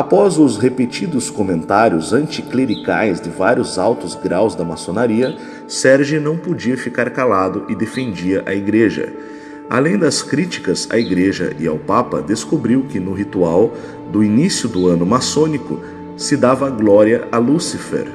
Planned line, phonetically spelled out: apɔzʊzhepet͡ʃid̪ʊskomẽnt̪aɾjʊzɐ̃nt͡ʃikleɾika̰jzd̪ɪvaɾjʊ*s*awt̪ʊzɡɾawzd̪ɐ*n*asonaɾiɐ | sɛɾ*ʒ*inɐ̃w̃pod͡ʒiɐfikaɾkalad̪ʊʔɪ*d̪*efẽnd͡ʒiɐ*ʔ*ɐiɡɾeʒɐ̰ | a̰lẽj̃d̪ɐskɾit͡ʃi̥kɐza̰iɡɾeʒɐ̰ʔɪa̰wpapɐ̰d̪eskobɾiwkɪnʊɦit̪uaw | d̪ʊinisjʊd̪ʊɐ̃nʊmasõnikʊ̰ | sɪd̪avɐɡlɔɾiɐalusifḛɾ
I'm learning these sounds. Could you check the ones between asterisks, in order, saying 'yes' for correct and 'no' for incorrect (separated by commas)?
no, no, yes, yes, yes